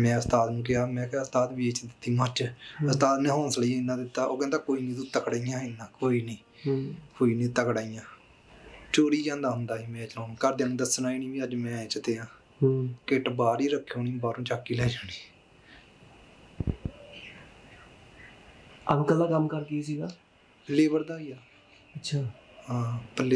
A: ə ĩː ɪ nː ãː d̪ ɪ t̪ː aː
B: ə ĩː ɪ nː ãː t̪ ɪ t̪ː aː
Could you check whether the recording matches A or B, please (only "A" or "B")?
A